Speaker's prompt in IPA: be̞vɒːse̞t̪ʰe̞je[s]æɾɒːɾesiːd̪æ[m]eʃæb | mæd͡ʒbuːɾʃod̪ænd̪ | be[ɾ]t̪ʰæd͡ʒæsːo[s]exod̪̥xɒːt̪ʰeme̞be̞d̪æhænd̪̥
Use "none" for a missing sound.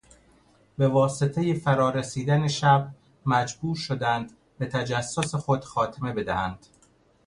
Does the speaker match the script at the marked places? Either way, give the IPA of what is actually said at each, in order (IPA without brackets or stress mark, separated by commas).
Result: f, n, none, s